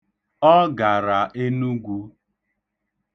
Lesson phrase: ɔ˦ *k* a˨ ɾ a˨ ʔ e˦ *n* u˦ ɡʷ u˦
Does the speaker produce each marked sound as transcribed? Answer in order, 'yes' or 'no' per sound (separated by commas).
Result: no, yes